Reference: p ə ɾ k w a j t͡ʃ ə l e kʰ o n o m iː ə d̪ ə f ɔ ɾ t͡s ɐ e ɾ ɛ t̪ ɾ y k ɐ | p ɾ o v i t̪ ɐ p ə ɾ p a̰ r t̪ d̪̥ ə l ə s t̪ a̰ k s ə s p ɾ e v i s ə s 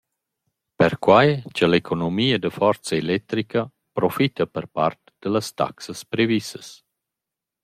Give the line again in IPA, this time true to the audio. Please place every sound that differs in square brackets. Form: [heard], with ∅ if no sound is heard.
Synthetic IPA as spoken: p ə ɾ k w a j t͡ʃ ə l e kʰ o n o m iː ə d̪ ə f ɔ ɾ t͡s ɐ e [l] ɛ t̪ ɾ [i] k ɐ | p ɾ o [f] i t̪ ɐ p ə ɾ p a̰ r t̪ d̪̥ ə l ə s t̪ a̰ k s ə s p ɾ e v i s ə s